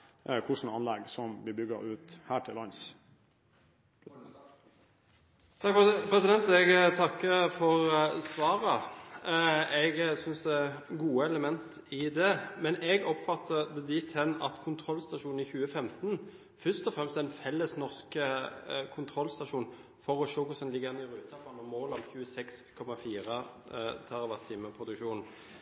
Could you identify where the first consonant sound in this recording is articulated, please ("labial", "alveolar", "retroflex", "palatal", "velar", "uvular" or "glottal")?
velar